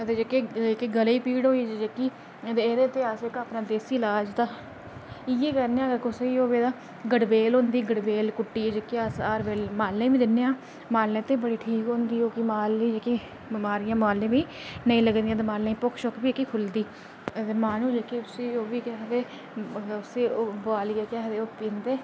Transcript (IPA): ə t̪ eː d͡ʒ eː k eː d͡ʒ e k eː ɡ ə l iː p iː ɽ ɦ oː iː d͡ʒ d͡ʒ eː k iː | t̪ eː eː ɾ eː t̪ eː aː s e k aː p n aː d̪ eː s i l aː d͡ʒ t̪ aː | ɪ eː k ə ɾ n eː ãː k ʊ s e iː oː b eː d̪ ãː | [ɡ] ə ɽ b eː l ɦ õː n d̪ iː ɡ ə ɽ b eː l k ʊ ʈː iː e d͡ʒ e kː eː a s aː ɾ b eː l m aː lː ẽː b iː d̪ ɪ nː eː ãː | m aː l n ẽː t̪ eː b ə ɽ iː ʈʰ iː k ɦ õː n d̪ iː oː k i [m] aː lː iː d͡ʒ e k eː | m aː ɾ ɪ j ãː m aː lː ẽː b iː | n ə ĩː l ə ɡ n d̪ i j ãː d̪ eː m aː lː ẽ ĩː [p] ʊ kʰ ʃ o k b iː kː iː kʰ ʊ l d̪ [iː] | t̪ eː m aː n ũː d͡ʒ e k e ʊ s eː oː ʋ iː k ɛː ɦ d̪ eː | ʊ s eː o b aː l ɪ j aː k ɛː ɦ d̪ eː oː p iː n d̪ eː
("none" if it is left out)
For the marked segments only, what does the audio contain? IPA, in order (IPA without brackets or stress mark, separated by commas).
ɡ, m, p, iː